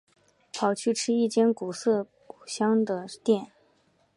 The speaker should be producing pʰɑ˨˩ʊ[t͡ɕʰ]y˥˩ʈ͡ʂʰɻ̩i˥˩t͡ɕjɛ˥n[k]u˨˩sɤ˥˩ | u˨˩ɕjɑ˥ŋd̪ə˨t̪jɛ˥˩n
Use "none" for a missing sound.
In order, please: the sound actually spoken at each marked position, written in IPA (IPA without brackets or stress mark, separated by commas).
t͡ɕʰ, k